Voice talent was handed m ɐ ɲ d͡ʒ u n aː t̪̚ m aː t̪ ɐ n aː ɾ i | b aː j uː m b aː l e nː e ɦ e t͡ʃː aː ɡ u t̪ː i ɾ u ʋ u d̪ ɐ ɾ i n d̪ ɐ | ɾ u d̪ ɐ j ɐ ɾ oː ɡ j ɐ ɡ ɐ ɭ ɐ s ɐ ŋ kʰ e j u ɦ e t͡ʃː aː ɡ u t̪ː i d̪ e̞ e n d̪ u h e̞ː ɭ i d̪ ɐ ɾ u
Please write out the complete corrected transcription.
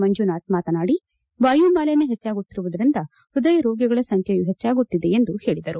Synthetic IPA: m ɐ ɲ d͡ʒ u n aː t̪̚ m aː t̪ ɐ n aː ɽ i | b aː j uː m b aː l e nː e ɦ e t͡ʃː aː ɡ u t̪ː i ɾ u ʋ u d̪ ɐ ɾ i n d̪ ɐ | ɾ u d̪ ɐ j ɐ ɾ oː ɡ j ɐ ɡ ɐ ɭ ɐ s ɐ ŋ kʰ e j u ɦ e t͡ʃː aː ɡ u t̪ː i d̪ e̞ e n d̪ u h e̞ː ɭ i d̪ ɐ ɾ u

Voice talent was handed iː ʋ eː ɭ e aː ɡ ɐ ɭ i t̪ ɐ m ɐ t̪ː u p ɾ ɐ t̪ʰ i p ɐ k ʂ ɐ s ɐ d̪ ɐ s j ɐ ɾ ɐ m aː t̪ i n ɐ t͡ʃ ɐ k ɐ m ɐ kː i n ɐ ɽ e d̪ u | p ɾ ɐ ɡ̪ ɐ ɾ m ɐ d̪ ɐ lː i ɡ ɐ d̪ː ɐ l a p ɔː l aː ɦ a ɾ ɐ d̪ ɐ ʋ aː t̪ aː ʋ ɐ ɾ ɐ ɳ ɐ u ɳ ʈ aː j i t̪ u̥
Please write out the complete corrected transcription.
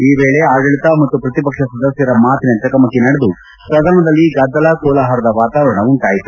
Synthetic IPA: iː ʋ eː ɭ e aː ɡ ɐ ɭ i t̪ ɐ m ɐ t̪ː u p ɾ ɐ t̪ i p ɐ k ʂ ɐ s ɐ d̪ ɐ s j ɐ ɾ ɐ m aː t̪ i n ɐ t͡ʃ ɐ k ɐ m ɐ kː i n ɐ ɽ e d̪ u | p ɾ ɐ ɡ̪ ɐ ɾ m ɐ d̪ ɐ lː i ɡ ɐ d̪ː ɐ l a k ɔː l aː ɦ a ɾ ɐ d̪ ɐ ʋ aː t̪ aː ʋ ɐ ɾ ɐ ɳ ɐ u ɳ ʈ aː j i t̪ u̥

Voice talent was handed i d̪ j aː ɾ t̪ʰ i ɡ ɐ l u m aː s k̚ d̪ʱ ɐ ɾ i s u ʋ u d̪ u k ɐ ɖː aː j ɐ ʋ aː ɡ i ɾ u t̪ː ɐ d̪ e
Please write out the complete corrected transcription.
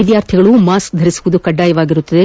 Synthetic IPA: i d̪ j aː ɾ t̪ʰ i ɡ ɐ ɭ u m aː s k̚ d̪ʱ ɐ ɾ i s u ʋ u d̪ u k ɐ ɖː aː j ɐ ʋ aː ɡ i ɾ u t̪ː ɐ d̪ e

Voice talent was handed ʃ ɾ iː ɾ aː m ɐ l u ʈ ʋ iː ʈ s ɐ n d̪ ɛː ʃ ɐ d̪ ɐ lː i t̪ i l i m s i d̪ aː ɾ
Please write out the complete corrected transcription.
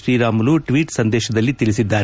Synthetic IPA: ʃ ɾ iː ɾ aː m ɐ l u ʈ ʋ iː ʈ s ɐ n d̪ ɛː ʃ ɐ d̪ ɐ lː i t̪ i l i s i d̪ː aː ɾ

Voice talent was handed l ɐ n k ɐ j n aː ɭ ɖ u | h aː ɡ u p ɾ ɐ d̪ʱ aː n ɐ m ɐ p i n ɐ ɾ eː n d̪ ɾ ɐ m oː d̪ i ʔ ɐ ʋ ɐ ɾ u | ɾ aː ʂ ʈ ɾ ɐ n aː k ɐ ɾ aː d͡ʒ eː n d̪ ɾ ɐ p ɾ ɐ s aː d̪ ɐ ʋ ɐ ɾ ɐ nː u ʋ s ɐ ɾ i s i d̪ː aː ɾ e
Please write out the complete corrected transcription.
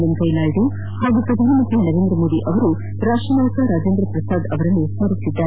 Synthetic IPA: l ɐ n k ɐ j n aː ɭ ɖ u | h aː ɡ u p ɾ ɐ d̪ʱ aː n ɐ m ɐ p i n ɐ ɾ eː n d̪ ɾ ɐ m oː d̪ i ʔ ɐ ʋ ɐ ɾ u | ɾ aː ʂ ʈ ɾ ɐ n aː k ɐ ɾ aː d͡ʒ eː n d̪ ɾ ɐ p ɾ ɐ s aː d̪ ɐ ʋ ɐ ɾ ɐ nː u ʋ s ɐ ɾ i s i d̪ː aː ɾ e

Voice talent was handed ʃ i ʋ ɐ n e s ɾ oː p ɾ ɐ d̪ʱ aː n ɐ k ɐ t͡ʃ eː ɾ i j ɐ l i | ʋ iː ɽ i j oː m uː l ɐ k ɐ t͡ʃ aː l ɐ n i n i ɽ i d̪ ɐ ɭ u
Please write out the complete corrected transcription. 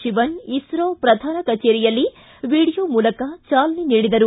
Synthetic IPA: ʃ i ʋ ɐ n i s ɾ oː p ɾ ɐ d̪ʱ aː n ɐ k ɐ t͡ʃ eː ɾ i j ɐ lː i | ʋ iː ɽ i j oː m uː l ɐ k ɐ t͡ʃ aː l ɐ n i n iː ɽ i d̪ ɐ ɾ u

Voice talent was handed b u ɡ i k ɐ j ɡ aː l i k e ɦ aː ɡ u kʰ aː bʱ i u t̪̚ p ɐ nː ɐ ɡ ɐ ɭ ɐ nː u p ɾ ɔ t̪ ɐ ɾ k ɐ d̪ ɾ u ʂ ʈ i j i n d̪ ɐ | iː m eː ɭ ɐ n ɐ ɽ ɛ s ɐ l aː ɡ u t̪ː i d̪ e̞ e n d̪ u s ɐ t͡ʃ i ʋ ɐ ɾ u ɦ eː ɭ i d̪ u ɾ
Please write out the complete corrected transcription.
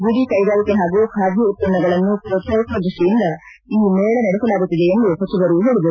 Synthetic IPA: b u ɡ i k ɐ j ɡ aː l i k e ɦ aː ɡ u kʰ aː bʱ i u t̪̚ p ɐ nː ɐ ɡ ɐ ɭ ɐ nː u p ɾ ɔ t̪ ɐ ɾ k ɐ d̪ ɾ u ʂ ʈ i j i n d̪ ɐ | iː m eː ɭ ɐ n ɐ ɽ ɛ s ɐ l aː ɡ u t̪ː i d̪ e̞ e n d̪ u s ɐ t͡ʃ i ʋ ɐ ɾ u ɦ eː ɭ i d̪ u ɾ

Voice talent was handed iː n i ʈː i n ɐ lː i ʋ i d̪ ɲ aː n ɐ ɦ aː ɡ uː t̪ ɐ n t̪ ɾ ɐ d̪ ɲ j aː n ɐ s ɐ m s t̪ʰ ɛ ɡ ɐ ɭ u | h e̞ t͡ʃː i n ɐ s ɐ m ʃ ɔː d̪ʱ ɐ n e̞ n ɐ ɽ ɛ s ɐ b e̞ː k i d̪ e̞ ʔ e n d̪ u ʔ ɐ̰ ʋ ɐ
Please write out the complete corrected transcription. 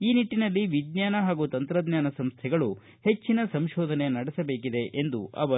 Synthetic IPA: iː n i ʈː i n ɐ lː i ʋ i d̪ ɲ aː n ɐ ɦ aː ɡ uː t̪ ɐ n t̪ ɾ ɐ d̪ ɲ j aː n ɐ s ɐ m s t̪ʰ ɛ ɡ ɐ ɭ u | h e̞ t͡ʃː i n ɐ s ɐ m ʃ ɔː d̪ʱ ɐ n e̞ n ɐ ɽ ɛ s ɐ b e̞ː k i d̪ e̞ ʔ e n d̪ u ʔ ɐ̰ ʋ ɐ

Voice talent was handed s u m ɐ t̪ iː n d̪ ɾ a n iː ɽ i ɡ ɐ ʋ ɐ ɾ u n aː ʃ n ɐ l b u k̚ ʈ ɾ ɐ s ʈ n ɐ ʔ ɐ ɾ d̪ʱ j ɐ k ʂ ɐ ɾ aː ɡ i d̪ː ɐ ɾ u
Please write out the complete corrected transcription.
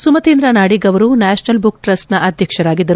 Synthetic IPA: s u m ɐ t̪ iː n d̪ ɾ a n aː ɽ i ɡ ɐ ʋ ɐ ɾ u n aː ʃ n ɐ l b u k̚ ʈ ɾ ɐ s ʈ n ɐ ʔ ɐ d̪ʱ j ɐ k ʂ ɐ ɾ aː ɡ i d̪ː ɐ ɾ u

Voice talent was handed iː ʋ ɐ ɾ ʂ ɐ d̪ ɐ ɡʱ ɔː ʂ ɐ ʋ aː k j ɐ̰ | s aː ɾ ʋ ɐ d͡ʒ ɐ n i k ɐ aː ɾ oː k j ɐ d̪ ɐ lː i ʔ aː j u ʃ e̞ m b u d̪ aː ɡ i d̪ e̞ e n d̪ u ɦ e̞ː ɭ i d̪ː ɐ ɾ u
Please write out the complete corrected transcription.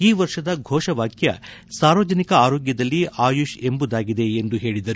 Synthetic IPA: iː ʋ ɐ ɾ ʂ ɐ d̪ ɐ ɡʱ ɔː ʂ ɐ ʋ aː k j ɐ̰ | s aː ɾ ʋ ɐ d͡ʒ ɐ n i k ɐ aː ɾ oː ɡ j ɐ d̪ ɐ lː i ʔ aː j u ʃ e̞ m b u d̪ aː ɡ i d̪ e̞ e n d̪ u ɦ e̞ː ɭ i d̪ ɐ ɾ u

